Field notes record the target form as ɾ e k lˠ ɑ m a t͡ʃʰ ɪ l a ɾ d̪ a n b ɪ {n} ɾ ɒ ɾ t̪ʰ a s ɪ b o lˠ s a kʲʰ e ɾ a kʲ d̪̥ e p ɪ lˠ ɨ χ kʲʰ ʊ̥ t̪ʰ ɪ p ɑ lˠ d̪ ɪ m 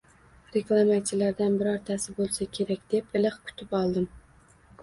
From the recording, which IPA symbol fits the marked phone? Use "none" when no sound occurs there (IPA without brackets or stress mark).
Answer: none